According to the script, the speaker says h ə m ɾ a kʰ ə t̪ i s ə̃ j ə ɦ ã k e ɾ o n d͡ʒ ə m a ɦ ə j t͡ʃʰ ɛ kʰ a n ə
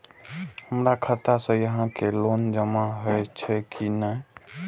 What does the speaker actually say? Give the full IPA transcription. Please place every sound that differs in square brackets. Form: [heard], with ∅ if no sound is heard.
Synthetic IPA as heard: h ə m ɾ a kʰ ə t̪ [a] s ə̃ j ə ɦ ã k e [l] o n d͡ʒ ə m a ɦ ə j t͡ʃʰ ɛ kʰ [i] n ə